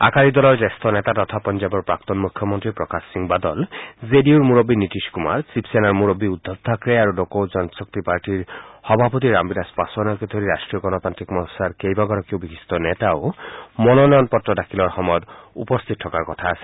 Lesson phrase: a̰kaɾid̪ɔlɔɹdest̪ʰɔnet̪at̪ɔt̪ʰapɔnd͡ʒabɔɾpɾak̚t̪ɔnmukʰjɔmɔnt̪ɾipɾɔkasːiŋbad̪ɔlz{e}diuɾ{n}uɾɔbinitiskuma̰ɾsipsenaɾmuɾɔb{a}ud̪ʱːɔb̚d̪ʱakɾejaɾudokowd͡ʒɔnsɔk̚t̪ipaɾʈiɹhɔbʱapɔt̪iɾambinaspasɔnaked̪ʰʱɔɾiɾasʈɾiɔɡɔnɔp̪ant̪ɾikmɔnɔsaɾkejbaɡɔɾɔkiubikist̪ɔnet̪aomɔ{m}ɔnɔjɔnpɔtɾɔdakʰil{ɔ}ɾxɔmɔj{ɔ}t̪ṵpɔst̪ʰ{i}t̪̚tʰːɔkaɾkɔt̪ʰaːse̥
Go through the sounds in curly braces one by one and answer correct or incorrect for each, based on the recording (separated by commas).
correct, incorrect, incorrect, incorrect, correct, correct, correct